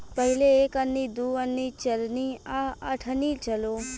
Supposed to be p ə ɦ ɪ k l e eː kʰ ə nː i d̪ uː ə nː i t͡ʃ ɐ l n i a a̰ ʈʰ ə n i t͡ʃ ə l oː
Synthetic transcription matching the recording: p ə ɦ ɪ l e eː k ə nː i d̪ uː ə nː i t͡ʃ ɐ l n i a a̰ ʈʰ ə n i t͡ʃ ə l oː